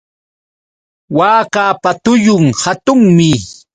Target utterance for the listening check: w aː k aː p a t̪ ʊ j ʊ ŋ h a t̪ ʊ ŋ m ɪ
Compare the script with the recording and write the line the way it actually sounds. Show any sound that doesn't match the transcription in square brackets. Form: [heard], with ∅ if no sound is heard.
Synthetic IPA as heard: w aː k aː p a t̪ ʊ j ʊ ŋ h a t̪ ʊ ŋ m ɪ